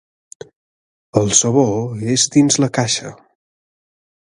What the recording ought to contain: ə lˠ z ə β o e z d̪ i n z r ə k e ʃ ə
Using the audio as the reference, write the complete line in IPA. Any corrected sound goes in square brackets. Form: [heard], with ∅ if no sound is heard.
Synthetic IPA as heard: ə lˠ [s] ə β o e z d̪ i n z [l] ə k [a] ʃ ə